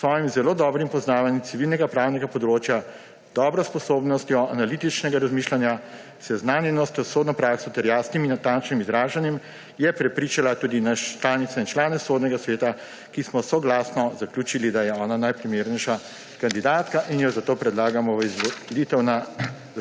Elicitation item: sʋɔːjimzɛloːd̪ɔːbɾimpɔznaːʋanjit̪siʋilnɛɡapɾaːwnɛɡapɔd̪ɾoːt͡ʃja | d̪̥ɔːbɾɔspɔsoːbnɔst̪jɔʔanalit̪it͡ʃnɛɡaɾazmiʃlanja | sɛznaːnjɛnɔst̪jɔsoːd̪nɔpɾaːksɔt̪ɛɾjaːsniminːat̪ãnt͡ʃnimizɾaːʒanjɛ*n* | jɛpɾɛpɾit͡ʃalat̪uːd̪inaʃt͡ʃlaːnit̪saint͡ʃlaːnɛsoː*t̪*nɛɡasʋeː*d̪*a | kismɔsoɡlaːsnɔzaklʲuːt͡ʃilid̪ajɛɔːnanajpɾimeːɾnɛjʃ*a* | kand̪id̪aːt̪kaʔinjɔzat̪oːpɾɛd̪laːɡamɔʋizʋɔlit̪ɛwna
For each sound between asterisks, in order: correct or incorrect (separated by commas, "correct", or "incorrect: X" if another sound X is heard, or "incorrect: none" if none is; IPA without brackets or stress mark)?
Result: incorrect: m, incorrect: d̪, incorrect: t̪, correct